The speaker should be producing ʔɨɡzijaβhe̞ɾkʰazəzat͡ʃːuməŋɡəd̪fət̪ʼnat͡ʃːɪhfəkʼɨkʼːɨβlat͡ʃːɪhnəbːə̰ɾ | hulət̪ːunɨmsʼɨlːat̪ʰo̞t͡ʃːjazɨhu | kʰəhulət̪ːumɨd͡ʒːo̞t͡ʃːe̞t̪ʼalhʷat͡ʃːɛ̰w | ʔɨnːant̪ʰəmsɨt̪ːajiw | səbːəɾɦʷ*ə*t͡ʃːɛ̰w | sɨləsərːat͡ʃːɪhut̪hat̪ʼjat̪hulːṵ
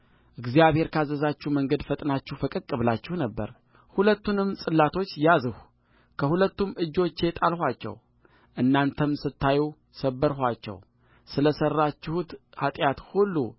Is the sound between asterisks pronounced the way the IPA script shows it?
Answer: no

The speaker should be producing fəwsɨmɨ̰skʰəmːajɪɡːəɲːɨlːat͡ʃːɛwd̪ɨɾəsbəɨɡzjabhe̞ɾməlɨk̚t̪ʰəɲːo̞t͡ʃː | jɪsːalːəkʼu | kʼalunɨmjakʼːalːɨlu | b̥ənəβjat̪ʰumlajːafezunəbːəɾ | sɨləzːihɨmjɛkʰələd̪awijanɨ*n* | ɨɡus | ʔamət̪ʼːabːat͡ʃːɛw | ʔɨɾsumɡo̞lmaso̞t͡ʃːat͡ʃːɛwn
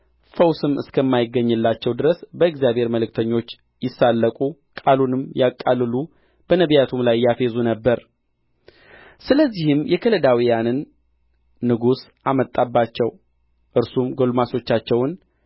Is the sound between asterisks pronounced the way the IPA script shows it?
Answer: no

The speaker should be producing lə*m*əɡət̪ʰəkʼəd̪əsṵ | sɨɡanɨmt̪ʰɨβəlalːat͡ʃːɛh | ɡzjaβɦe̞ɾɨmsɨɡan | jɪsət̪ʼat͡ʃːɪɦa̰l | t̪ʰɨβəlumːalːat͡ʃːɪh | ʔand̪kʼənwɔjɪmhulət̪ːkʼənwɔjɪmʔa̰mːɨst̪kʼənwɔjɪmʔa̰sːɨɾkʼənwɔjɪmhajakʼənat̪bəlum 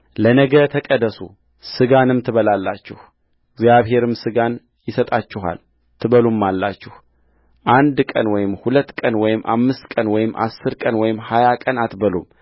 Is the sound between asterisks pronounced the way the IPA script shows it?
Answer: no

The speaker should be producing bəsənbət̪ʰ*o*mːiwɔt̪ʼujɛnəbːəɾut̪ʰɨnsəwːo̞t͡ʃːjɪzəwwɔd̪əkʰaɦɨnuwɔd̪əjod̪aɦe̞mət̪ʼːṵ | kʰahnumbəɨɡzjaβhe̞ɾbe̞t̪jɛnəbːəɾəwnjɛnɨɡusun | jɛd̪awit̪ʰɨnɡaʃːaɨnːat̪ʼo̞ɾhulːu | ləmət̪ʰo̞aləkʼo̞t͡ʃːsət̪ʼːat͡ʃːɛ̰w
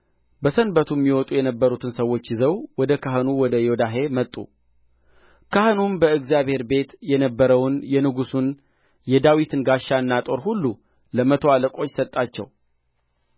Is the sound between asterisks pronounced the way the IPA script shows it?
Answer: no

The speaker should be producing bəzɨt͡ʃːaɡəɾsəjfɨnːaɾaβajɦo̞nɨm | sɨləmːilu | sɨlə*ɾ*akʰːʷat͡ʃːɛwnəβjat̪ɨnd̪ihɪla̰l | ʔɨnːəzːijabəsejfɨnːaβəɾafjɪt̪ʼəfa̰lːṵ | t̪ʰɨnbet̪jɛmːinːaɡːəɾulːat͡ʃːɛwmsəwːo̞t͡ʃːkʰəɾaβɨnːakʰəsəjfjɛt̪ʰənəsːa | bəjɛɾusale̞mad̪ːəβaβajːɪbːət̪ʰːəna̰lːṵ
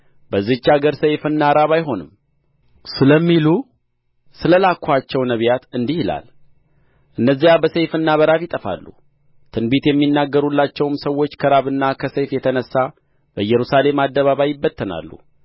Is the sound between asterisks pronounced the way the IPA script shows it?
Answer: no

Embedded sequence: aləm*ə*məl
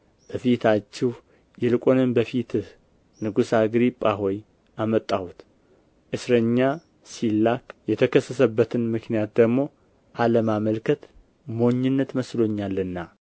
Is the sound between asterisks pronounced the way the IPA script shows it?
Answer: no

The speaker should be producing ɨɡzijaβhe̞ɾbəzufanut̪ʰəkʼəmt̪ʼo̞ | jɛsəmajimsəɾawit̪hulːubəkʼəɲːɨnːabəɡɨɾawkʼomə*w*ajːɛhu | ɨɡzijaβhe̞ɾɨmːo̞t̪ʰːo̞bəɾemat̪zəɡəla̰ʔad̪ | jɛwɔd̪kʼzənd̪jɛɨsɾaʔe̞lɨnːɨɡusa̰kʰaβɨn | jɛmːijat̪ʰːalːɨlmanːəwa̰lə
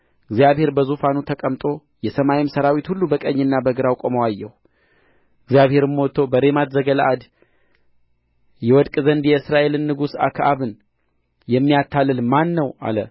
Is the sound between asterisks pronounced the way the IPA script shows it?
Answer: yes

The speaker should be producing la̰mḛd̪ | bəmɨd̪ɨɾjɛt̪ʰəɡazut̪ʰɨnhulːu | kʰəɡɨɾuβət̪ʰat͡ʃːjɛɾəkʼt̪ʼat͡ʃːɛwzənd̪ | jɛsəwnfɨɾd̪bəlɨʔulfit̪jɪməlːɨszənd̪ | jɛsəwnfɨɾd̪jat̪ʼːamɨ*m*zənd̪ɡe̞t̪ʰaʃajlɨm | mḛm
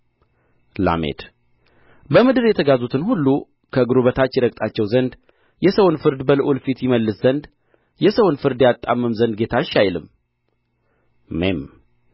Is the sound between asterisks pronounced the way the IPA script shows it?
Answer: yes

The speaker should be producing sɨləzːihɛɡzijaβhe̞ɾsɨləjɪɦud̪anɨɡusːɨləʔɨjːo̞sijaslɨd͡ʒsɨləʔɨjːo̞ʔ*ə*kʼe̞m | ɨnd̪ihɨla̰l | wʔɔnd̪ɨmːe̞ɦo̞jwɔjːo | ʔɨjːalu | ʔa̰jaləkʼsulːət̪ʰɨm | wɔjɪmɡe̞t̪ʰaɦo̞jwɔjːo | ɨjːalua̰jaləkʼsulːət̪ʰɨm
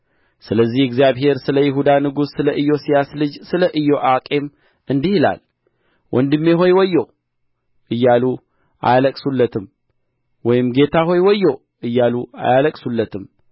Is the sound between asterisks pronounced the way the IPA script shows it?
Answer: no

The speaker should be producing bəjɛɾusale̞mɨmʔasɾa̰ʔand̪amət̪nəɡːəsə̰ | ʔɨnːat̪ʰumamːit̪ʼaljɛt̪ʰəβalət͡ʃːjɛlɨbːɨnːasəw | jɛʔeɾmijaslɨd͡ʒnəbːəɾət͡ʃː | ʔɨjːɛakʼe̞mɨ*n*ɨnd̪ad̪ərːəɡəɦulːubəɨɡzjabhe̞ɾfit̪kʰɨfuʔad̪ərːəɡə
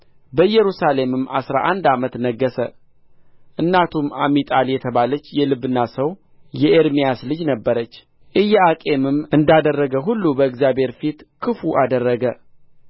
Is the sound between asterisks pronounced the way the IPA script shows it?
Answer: no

